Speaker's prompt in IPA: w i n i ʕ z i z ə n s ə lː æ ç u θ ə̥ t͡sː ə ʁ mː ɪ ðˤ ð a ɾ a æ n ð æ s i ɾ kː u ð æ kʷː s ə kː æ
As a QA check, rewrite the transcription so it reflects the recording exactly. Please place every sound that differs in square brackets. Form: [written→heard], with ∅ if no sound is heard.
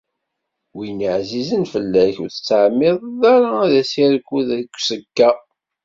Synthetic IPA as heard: w i n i ʕ z i z ə n [s→f] ə lː æ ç u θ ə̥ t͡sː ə [ʁ→ʕ] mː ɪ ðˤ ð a ɾ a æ [n→∅] ð æ s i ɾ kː u ð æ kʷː s ə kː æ